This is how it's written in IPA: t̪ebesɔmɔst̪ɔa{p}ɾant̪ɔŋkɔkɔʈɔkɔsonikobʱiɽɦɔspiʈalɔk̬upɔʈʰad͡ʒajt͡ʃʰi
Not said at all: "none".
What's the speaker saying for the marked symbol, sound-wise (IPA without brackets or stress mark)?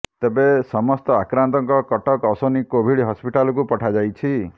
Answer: k